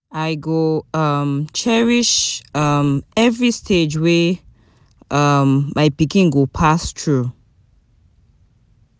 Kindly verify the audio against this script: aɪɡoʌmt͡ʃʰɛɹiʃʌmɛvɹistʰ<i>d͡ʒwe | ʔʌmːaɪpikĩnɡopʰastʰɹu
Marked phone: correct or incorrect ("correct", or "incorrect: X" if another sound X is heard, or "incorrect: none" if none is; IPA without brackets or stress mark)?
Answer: incorrect: e